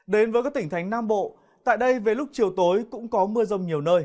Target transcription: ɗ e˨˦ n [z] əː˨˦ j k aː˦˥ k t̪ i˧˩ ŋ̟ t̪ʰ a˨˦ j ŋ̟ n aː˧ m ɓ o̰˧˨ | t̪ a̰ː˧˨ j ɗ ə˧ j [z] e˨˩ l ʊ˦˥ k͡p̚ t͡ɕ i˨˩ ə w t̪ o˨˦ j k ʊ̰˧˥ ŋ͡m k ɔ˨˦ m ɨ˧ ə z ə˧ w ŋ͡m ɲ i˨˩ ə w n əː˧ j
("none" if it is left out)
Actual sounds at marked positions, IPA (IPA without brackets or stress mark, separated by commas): v, v